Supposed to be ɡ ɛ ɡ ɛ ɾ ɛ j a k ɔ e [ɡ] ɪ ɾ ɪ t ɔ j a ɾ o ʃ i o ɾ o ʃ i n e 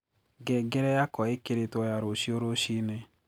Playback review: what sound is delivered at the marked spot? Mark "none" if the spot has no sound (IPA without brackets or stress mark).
k